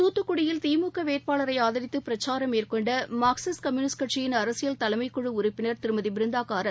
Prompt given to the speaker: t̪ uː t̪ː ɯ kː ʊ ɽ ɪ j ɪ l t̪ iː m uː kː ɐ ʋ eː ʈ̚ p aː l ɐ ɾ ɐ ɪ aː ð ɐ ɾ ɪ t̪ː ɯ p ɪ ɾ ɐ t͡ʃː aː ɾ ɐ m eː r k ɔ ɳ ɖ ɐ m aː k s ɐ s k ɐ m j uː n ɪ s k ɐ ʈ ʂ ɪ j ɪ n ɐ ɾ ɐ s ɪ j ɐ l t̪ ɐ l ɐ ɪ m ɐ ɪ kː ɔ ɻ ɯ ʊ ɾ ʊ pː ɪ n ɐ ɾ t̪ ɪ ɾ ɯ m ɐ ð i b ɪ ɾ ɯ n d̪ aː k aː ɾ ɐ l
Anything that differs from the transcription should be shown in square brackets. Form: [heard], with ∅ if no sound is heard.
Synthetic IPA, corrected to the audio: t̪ uː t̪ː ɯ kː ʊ ɽ ɪ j ɪ l t̪ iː m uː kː ɐ ʋ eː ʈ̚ p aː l ɐ ɾ ɐ ɪ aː ð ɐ ɾ ɪ t̪ː ɯ p ɪ ɾ ɐ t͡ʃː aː ɾ ɐ m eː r k ɔ ɳ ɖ ɐ m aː k s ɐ s k ɐ m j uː n ɪ s k ɐ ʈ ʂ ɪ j ɪ n ɐ ɾ ɐ s ɪ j ɐ l t̪ ɐ l ɐ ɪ m ɐ ɪ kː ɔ ɻ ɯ ʊ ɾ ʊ pː ɪ n ɐ ɾ t̪ ɪ ɾ ɯ m ɐ ð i b ɪ ɾ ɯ n d̪ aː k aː ɾ ɐ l